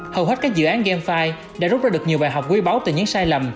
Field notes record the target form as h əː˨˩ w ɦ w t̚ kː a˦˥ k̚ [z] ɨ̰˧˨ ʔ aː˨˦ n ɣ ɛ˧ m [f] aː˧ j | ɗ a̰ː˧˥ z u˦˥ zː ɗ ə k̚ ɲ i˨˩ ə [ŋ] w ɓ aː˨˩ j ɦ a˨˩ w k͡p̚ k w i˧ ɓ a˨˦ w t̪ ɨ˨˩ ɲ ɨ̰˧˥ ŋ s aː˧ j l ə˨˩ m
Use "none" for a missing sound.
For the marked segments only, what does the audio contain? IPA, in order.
z, f, none

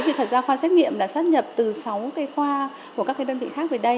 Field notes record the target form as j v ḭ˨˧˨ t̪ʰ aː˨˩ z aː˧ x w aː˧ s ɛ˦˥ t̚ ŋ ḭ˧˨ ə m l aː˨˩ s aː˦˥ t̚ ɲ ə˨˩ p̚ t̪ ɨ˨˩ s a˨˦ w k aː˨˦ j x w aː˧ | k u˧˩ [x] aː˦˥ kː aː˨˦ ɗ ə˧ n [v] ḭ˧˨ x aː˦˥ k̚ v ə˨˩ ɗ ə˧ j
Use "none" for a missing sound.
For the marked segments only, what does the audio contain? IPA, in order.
k, v

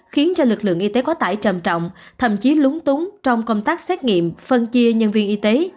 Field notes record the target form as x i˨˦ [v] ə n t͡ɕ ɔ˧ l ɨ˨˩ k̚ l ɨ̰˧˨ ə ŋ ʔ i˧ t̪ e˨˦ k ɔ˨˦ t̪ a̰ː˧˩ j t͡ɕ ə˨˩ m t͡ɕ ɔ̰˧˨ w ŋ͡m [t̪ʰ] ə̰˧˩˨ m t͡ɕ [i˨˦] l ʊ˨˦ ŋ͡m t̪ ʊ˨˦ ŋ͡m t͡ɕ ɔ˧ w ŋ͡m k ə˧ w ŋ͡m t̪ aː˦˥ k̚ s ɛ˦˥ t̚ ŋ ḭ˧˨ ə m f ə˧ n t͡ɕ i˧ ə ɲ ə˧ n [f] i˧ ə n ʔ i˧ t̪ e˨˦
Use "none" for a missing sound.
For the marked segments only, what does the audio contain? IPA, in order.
none, t̪ʰ, i˨˦, v

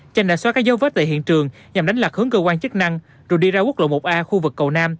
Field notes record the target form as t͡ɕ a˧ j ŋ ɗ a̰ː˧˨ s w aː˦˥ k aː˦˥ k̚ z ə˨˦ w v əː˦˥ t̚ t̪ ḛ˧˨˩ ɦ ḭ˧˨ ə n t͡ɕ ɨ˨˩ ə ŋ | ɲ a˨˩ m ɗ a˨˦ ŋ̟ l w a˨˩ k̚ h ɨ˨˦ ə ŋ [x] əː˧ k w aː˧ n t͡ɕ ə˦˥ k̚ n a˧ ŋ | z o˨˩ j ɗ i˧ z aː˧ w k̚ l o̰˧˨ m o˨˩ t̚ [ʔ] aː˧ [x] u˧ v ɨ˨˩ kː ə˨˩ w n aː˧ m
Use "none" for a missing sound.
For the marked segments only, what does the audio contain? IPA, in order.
k, ʔ, x

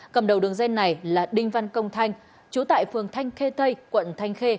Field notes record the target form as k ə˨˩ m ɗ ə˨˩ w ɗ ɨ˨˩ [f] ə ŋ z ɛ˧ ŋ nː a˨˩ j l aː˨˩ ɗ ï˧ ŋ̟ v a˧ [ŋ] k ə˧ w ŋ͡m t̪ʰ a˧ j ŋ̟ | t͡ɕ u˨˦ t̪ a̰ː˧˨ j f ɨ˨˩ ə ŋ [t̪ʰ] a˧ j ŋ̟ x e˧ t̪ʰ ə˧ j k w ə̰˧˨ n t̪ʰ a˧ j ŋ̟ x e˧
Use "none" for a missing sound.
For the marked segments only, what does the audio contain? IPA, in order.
none, n, t̪ʰ

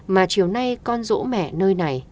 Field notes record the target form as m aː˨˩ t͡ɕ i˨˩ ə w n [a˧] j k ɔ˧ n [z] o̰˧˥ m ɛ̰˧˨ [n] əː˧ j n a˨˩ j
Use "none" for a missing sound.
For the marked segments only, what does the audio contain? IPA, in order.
a˧, z, n

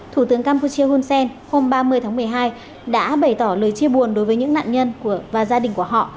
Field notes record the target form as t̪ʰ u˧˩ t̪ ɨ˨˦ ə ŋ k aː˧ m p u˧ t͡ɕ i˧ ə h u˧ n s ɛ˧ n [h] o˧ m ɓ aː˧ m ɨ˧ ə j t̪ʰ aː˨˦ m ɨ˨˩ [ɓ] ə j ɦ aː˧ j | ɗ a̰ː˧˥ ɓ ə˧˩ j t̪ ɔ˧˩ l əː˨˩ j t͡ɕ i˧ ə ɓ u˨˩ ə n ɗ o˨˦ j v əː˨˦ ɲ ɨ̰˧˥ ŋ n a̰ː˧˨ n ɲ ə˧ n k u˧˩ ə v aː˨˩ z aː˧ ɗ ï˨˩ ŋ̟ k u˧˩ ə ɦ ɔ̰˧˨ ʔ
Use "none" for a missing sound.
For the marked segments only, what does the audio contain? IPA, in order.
h, none

